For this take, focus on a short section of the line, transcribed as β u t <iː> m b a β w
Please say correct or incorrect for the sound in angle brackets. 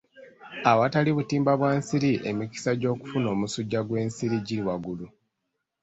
correct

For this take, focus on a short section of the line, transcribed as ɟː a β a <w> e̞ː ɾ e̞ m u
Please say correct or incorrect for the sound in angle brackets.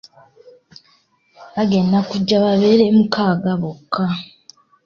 incorrect: β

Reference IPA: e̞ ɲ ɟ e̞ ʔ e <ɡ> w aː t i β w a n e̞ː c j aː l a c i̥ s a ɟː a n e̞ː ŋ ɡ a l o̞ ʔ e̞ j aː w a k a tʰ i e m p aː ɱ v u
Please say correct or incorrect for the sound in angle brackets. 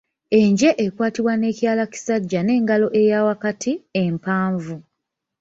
incorrect: k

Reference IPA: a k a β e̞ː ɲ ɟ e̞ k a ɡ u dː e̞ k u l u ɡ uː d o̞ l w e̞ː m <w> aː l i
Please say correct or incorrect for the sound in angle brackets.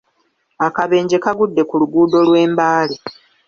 incorrect: b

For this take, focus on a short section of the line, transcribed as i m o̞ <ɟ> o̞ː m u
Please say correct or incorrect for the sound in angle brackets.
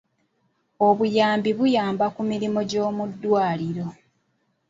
correct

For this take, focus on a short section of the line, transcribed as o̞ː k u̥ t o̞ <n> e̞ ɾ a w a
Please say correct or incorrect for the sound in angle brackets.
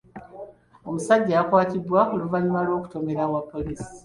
incorrect: m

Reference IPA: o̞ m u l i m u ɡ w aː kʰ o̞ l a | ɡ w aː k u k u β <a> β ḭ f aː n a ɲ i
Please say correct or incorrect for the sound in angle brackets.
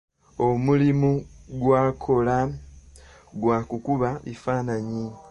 correct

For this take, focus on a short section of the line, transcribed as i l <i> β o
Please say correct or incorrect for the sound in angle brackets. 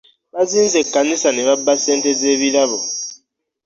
incorrect: a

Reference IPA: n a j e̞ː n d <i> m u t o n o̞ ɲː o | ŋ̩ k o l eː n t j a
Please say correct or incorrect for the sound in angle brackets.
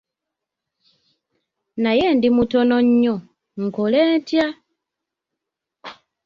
correct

